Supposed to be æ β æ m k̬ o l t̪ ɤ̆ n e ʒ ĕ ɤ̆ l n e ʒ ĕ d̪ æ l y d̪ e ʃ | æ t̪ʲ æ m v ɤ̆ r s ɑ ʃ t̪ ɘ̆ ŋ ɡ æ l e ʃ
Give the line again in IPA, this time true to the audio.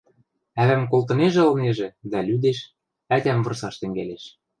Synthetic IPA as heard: æ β æ m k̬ o l t̪ ɤ̆ n e ʒ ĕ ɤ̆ l n e ʒ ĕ d̪ æ l y d̪ e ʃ | æ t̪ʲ æ m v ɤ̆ r s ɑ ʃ t̪ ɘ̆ ŋ ɡ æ l e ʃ